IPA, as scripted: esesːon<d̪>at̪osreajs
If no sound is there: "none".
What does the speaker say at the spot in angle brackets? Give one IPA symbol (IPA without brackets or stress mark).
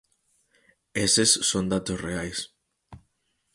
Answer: d̪